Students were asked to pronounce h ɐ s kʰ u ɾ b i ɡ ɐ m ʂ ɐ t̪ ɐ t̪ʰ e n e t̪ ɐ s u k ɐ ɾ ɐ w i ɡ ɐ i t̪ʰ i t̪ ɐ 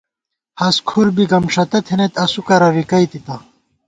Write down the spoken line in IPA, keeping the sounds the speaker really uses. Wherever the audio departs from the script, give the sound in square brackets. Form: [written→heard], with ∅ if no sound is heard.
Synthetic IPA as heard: h ɐ s kʰ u ɾ b i ɡ ɐ m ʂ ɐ t̪ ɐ t̪ʰ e n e t̪ ɐ s u k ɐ ɾ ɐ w i [ɡ→k] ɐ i [t̪ʰ→t̪] i t̪ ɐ